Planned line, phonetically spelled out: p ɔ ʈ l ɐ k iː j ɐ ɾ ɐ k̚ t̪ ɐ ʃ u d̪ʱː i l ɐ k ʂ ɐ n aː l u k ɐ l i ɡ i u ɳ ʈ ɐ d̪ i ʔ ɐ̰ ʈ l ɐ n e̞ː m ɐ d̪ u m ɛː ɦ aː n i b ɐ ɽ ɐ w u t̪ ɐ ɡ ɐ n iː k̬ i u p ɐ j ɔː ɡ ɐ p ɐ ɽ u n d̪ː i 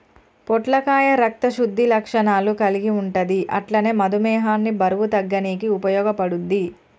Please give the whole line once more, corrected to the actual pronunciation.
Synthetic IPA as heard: p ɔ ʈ l ɐ k aː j ɐ ɾ ɐ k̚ t̪ ɐ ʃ u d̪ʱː i l ɐ k ʂ ɐ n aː l u k ɐ l i ɡ i u ɳ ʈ ɐ d̪ i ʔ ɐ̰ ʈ l ɐ n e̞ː m ɐ d̪ u m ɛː ɦ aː nː i b ɐ ɾ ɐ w u t̪ ɐ ɡː ɐ n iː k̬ i u p ɐ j ɔː ɡ ɐ p ɐ ɽ u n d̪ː i

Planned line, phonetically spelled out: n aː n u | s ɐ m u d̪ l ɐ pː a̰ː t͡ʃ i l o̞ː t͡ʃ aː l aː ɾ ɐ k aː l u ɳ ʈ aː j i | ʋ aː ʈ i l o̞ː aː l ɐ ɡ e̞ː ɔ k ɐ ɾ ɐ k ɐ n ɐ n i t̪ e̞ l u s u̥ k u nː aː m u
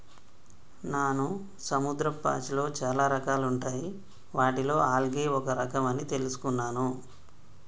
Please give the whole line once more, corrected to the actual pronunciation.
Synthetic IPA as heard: n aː n u | s ɐ m u d̪ ɾ ɐ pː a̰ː t͡ʃ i l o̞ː t͡ʃ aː l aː ɾ ɐ k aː l u ɳ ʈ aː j i | ʋ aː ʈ i l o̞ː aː l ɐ ɡ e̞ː ɔ k ɐ ɾ ɐ k ɐ m ɐ n i t̪ e̞ l u s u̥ k u nː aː n u

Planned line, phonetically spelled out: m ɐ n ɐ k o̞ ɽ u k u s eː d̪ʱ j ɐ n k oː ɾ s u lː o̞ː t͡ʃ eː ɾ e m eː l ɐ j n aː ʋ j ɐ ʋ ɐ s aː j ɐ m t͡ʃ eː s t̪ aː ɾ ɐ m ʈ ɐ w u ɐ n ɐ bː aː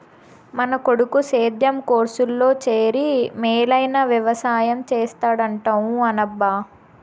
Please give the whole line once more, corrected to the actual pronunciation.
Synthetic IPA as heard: m ɐ n ɐ k o̞ ɽ u k u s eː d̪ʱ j ɐ m k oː ɾ s u lː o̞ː t͡ʃ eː ɾ i m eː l ɐ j n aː ʋ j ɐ ʋ ɐ s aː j ɐ m t͡ʃ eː s t̪ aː ɽ ɐ ɳ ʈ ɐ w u ɐ n ɐ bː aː

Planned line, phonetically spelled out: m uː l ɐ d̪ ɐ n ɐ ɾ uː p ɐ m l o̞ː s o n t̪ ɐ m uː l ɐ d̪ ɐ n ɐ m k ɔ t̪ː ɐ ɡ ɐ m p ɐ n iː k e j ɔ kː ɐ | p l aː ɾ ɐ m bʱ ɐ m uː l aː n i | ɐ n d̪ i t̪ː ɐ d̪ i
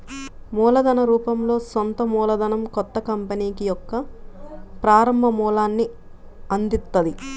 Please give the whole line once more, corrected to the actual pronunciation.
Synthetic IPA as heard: m uː l ɐ d̪ ɐ n ɐ ɾ uː p ɐ m l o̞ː s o n t̪ ɐ m uː l ɐ d̪ ɐ n ɐ m k ɔ t̪ː ɐ k ɐ m p ɐ n iː k i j ɔ kː ɐ | p ɾ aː ɾ ɐ m bʱ ɐ m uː l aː nː i | ɐ n d̪ i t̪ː ɐ d̪ i

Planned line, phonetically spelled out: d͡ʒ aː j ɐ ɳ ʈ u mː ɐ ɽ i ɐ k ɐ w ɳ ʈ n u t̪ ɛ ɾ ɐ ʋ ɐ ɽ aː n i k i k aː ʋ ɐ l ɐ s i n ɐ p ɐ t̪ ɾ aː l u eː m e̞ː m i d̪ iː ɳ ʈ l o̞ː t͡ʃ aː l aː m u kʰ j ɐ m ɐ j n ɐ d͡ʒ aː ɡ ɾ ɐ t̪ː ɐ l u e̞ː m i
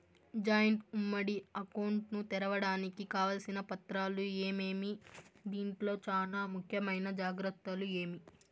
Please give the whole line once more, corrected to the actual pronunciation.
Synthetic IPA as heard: d͡ʒ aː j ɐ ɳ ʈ u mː ɐ ɽ i ɐ k ɐ w ɳ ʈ n u t̪ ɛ ɾ ɐ ʋ ɐ ɽ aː n i k i k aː ʋ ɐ l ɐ s i n ɐ p ɐ t̪ ɾ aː l u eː m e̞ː m i d̪ iː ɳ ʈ l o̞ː t͡ʃ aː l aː m u kʰ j ɐ m ɐ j n ɐ d͡ʒ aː ɡ ɾ ɐ t̪ː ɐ l u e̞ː m i

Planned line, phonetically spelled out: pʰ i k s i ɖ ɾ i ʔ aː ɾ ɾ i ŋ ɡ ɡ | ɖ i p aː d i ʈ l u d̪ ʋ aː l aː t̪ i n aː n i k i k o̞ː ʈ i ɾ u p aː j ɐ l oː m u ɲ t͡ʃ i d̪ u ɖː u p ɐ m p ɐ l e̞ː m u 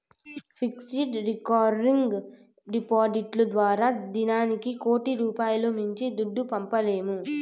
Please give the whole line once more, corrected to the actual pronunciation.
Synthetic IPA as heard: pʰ i k s i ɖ ɾ i k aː ɾ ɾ i ŋ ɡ ɡ | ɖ i p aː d i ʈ l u d̪ ʋ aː ɾ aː d̪ i n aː n i k i k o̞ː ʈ i ɾ uː p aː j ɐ l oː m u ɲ t͡ʃ i d̪ u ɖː u p ɐ m p ɐ l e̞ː m u

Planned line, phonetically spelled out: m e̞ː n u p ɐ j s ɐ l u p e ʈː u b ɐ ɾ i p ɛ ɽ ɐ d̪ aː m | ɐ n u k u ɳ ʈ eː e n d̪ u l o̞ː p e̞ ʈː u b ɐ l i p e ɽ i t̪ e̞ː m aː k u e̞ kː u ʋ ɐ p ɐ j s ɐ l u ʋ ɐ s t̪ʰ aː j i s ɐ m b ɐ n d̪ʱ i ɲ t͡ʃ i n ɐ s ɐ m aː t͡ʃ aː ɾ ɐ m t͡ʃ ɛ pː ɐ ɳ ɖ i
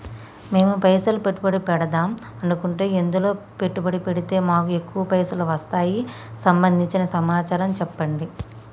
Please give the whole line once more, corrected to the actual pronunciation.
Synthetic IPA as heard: m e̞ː m u p ɐ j s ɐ l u p e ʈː u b ɐ ɽ i p ɛ ɽ ɐ d̪ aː m | ɐ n u k u ɳ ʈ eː e n d̪ u l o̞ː p e̞ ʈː u b ɐ ɽ i p e ɽ i t̪ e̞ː m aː k u e̞ kː u ʋ ɐ p ɐ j s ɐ l u ʋ ɐ s t̪ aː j i s ɐ m b ɐ n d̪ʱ i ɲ t͡ʃ i n ɐ s ɐ m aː t͡ʃ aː ɾ ɐ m t͡ʃ ɛ pː ɐ ɳ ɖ i

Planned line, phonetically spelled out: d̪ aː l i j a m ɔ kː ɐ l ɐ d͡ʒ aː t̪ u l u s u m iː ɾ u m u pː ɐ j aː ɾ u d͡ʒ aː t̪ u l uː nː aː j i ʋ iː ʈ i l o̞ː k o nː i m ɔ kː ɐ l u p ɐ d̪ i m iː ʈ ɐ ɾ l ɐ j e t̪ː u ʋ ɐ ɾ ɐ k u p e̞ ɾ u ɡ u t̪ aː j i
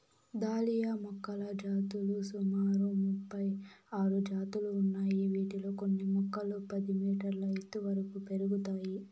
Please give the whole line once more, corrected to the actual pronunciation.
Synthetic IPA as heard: d̪ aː l i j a m ɔ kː ɐ l ɐ d͡ʒ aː t̪ u l u s u m aː ɾ u m u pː ɐ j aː ɾ u d͡ʒ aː t̪ u l uː nː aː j i ʋ iː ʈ i l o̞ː k o nː i m ɔ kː ɐ l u p ɐ d̪ i m iː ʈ ɐ ɾ l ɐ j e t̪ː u ʋ ɐ ɾ ɐ k u p e̞ ɾ u ɡ u t̪ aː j i

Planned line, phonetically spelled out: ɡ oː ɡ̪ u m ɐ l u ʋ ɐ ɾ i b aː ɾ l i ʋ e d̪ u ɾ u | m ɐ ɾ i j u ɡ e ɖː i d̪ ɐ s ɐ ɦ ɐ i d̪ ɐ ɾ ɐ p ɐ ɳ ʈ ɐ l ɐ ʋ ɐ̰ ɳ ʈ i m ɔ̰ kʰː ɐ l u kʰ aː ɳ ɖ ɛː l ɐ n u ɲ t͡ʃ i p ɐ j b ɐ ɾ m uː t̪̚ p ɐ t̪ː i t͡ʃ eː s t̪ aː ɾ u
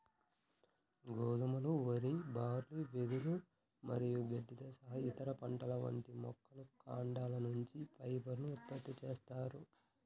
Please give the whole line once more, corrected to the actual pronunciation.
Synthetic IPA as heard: ɡ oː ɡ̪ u m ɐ l u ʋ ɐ ɾ i b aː ɾ l i ʋ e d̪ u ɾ u | m ɐ ɾ i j u ɡ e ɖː i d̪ ɐ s ɐ ɦ ɐ i t̪ ɐ ɾ ɐ p ɐ ɳ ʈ ɐ l ɐ ʋ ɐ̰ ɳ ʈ i m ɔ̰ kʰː ɐ l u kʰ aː ɳ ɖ aː l ɐ n u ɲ t͡ʃ i p ɐ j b ɐ ɾ n uː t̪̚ p ɐ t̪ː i t͡ʃ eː s t̪ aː ɾ u

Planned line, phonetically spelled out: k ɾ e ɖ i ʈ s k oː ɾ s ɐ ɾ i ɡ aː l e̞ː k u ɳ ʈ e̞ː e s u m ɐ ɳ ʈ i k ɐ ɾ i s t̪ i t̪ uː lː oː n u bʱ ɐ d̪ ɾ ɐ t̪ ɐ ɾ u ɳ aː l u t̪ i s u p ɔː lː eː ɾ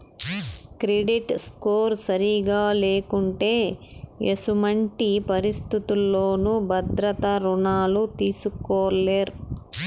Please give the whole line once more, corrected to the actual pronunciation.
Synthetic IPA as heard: k ɾ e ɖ i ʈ s k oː ɾ s ɐ ɾ i ɡ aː l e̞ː k u ɳ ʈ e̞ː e s u m ɐ ɳ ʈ i p ɐ ɾ i s t̪ i t̪ u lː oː n u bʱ ɐ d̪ ɾ ɐ t̪ ɐ ɾ u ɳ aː l u t̪ iː s u k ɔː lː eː ɾ

